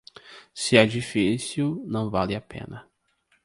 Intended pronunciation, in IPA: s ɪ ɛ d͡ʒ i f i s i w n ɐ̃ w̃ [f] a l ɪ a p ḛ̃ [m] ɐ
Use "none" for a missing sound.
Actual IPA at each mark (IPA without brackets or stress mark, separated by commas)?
v, n